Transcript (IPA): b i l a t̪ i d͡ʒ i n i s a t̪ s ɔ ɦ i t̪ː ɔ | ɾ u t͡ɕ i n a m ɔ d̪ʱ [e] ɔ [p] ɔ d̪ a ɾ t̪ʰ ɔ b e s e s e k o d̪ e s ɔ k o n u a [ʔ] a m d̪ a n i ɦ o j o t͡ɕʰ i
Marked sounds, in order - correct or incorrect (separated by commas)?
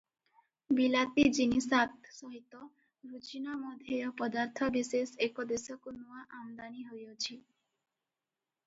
correct, correct, correct